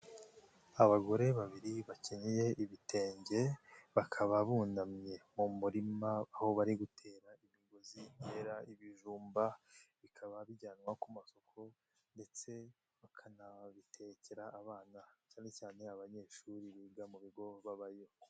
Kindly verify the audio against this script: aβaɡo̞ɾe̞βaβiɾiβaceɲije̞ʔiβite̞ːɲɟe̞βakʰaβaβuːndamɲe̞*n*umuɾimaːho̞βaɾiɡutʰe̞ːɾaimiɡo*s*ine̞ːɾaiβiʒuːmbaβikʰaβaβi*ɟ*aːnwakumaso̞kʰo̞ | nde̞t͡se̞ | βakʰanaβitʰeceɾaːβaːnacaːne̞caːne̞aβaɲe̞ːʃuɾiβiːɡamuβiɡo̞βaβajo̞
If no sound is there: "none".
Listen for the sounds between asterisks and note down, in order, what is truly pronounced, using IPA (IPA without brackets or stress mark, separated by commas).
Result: m, z, ɟ